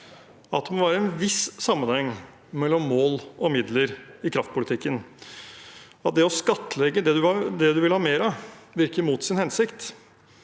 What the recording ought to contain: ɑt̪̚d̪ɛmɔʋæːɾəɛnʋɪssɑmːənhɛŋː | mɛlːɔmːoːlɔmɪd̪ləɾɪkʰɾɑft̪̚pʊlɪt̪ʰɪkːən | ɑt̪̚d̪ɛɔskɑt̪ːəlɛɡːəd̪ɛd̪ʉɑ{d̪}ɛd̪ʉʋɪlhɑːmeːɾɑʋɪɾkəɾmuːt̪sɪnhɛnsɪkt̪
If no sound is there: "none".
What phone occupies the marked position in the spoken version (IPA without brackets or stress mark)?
d̪